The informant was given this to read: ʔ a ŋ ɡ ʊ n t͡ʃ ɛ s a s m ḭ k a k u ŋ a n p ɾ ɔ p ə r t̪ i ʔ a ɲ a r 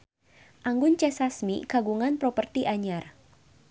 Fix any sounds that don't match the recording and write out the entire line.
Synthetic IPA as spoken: ʔ a ŋ ɡ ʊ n t͡ʃ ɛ s a s m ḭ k a ɡ u ŋ a n p ɾ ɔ p ə r t̪ i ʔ a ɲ a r